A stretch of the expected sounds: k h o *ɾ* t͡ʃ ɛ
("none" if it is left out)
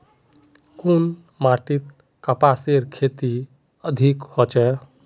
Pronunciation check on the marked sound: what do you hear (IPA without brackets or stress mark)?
none